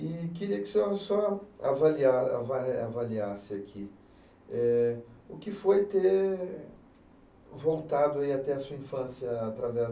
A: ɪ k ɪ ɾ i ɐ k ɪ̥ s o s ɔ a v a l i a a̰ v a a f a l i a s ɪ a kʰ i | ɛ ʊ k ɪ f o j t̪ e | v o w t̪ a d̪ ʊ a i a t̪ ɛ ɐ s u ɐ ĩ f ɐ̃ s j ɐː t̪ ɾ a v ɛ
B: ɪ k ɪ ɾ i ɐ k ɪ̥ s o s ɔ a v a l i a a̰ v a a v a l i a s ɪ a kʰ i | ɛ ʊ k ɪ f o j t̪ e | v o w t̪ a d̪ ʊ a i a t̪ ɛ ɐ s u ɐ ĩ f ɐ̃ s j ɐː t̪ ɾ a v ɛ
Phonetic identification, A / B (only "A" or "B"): B